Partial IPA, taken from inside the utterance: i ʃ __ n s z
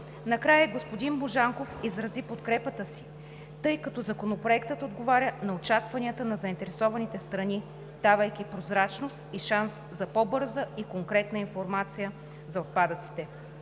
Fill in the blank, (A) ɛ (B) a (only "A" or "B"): B